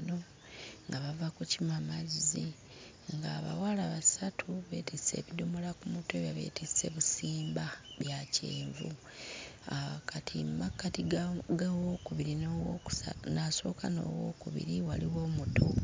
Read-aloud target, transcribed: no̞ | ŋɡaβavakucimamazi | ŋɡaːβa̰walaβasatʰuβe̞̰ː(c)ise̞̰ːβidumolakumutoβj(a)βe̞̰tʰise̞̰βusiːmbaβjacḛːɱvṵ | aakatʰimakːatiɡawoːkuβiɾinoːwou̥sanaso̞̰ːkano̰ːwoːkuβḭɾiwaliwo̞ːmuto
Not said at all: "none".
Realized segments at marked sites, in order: t, a

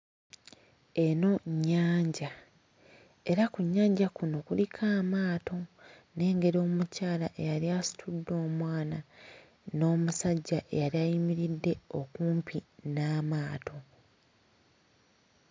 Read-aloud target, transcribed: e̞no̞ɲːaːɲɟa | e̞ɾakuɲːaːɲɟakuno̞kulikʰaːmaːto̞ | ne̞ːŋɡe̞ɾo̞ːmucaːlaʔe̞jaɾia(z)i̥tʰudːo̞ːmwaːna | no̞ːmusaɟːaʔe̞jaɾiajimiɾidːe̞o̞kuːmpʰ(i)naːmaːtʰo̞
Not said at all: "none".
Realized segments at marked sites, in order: s, i

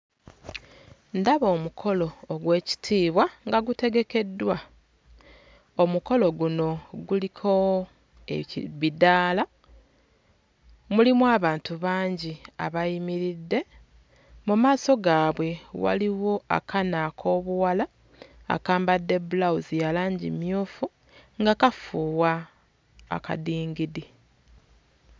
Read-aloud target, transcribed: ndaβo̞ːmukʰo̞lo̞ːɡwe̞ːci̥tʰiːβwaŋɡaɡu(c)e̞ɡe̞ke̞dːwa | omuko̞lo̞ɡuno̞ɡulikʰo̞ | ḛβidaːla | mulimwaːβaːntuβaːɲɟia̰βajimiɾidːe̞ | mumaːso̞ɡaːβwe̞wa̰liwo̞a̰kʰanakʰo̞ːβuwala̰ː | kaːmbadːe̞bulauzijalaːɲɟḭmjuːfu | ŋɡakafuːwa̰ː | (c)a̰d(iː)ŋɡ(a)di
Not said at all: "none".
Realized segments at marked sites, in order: t, k, iː, i

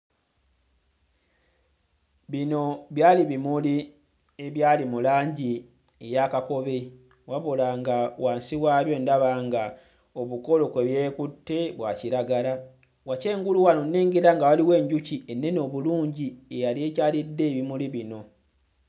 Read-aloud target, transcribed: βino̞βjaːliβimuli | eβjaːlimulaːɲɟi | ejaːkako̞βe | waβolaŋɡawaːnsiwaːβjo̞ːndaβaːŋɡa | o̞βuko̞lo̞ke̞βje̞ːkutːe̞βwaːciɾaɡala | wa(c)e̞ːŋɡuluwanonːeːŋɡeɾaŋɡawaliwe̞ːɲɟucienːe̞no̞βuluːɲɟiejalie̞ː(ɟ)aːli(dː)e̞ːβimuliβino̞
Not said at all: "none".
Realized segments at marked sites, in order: c, c, dː

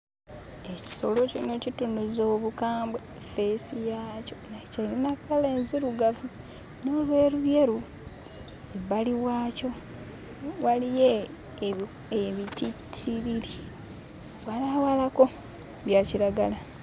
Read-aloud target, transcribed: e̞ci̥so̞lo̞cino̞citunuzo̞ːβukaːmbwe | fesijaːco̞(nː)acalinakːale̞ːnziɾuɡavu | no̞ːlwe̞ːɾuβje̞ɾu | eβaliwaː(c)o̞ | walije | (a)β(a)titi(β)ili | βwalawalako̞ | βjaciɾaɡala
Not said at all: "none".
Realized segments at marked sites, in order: n, c, e, i, β

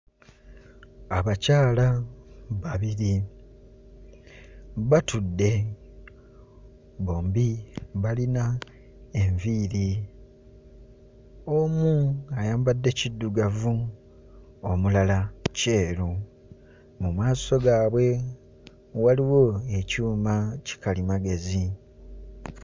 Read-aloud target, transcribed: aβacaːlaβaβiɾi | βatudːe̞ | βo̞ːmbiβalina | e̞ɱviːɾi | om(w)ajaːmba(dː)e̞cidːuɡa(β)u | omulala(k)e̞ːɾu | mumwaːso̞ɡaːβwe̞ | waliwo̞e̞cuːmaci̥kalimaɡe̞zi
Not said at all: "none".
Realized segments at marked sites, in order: u, dː, v, c

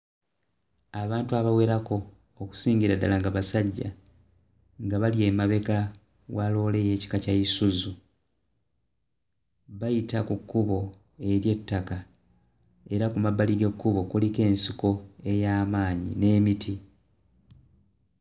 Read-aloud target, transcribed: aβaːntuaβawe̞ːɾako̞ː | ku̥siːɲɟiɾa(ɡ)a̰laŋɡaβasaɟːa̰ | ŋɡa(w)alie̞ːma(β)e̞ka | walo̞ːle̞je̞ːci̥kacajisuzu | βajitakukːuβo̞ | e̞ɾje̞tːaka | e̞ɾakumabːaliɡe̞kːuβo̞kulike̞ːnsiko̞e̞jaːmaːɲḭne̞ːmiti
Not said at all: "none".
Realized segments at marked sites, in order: d, β, β

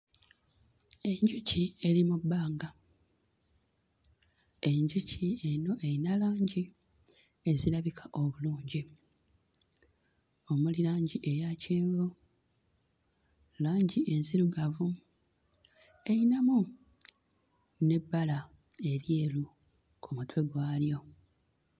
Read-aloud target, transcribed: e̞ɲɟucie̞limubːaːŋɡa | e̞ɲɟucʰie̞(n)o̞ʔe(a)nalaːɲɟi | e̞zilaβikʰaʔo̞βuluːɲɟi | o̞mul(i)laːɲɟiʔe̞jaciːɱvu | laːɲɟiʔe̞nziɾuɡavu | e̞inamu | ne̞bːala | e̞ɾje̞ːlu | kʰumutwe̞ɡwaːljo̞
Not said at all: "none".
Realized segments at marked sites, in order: n, i, i

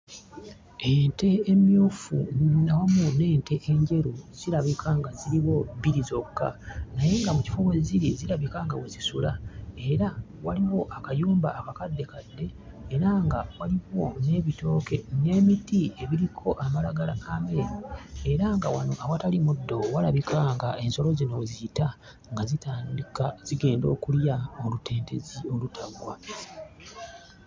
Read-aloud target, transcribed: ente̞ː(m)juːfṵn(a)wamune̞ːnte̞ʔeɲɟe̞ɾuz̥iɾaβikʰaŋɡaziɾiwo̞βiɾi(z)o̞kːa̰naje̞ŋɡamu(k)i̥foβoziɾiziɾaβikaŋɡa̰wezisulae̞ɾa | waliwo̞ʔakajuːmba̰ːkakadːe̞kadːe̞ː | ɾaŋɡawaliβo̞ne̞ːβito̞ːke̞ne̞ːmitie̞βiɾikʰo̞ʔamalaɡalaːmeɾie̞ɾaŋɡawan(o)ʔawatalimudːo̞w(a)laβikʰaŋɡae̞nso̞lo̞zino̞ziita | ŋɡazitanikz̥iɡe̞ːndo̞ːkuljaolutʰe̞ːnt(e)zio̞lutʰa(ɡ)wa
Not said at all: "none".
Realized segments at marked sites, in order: m, a, z, c, o, a, e, ɡ

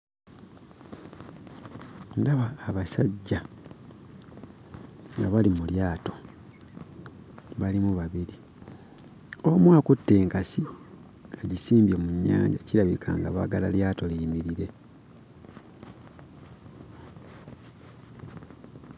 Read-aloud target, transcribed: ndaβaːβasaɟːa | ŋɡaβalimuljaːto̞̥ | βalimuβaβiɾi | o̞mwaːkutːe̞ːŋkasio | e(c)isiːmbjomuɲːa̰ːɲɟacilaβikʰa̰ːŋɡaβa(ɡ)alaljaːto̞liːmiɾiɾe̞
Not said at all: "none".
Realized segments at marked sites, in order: ɟ, ɡ

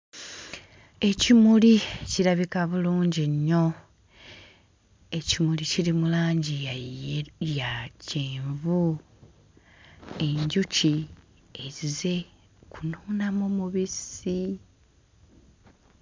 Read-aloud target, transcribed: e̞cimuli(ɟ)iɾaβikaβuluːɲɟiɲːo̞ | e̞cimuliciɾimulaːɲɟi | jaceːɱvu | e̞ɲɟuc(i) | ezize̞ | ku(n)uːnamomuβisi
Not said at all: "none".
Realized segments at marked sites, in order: c, i, n

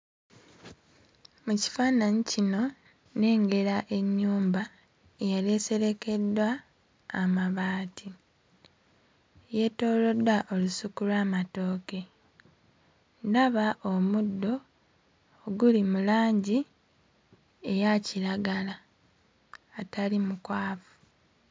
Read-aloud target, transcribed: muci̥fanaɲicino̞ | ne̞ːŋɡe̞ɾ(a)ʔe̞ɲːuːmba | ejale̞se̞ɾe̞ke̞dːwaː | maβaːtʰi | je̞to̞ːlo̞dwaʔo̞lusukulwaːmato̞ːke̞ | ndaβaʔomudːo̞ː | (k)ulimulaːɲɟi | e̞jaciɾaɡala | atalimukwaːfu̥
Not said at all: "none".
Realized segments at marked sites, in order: a, ɡ

